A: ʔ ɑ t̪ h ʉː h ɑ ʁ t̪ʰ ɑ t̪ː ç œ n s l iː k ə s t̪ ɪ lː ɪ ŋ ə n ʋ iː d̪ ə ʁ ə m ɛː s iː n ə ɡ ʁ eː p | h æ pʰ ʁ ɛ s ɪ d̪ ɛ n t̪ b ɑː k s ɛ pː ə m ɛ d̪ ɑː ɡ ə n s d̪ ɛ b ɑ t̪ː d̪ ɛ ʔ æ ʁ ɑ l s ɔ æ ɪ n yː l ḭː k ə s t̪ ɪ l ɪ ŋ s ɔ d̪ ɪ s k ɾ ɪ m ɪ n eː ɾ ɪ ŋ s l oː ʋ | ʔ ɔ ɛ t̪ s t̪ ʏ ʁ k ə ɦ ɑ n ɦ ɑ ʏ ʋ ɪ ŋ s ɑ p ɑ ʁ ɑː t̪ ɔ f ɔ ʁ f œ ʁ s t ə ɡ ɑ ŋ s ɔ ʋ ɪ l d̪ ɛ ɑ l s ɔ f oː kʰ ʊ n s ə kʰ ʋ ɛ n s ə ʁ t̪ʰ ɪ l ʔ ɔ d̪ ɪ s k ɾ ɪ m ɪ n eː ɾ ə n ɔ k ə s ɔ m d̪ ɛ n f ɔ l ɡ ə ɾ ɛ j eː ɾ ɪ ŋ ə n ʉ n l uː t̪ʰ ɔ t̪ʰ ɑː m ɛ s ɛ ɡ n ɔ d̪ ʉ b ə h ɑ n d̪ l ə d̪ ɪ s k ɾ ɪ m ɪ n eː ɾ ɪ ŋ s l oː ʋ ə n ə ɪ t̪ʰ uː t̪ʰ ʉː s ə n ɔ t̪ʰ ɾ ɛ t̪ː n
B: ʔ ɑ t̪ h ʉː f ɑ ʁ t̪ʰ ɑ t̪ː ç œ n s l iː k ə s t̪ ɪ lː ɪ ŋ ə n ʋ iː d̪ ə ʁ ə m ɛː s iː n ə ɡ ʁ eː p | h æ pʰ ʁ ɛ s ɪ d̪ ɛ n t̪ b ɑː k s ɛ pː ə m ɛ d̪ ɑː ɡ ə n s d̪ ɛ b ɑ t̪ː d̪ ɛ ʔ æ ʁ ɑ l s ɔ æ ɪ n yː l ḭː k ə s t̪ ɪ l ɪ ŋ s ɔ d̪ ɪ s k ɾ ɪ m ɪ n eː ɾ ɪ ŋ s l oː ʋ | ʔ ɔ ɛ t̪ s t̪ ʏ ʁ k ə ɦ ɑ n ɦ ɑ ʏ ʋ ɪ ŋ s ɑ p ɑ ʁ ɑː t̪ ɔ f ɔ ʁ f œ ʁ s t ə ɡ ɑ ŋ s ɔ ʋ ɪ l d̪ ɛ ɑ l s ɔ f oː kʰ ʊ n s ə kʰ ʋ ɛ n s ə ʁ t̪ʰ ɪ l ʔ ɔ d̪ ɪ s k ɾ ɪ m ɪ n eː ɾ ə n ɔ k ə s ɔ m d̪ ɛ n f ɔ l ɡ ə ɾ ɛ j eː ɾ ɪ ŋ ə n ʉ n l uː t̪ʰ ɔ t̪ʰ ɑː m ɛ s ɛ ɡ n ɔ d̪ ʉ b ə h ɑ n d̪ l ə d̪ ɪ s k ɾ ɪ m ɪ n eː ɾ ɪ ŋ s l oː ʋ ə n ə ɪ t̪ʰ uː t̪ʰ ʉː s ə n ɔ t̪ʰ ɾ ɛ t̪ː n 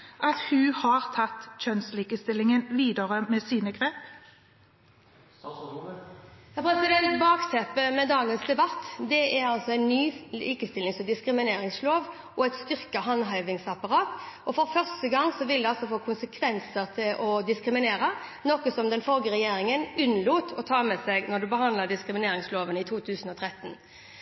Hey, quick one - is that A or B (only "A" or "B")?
A